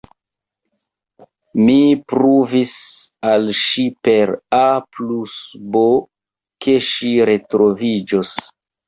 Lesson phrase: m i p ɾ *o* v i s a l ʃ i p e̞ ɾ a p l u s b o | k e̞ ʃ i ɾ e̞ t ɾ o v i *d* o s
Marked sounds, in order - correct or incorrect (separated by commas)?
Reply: incorrect, incorrect